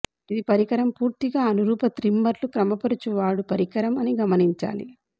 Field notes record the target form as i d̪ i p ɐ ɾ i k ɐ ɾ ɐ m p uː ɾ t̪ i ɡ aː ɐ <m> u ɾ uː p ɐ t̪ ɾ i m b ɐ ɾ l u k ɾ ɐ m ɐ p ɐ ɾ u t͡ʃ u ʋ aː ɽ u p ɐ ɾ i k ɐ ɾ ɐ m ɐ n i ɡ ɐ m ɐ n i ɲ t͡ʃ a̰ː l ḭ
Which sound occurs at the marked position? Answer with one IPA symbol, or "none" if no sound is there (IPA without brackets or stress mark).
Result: n